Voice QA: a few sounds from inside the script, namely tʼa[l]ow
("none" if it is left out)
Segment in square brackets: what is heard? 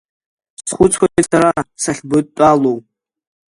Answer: l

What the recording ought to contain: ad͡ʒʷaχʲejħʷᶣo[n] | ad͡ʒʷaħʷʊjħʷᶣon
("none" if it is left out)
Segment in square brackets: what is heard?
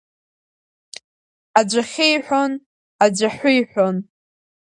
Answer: n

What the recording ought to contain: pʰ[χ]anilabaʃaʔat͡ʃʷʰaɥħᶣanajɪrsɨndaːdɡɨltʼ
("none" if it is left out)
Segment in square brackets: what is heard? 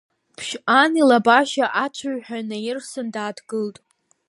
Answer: ʃ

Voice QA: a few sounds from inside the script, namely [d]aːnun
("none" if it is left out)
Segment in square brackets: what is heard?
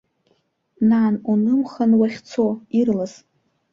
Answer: n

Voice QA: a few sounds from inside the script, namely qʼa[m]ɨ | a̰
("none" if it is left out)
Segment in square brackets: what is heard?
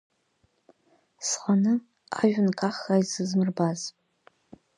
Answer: n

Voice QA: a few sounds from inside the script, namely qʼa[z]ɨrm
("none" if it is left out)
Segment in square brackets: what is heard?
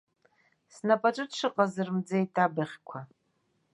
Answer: z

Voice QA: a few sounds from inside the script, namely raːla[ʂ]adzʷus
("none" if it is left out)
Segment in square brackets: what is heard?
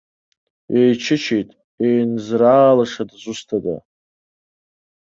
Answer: ʂ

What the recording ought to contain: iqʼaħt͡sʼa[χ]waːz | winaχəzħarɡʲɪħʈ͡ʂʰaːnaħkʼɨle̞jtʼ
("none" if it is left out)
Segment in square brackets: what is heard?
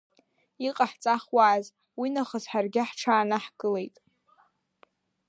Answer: χ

